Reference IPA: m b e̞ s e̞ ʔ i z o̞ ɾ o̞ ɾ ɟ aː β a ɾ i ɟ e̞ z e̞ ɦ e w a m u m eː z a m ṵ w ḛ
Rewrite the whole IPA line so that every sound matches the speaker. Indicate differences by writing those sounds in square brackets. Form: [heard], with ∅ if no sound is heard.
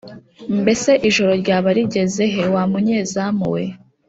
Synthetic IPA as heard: m b e̞ s e̞ ʔ i [ʒ] o̞ ɾ o̞ ɾ ɟ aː β a ɾ i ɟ e̞ z e̞ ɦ e w a m u [ɲ] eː z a m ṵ w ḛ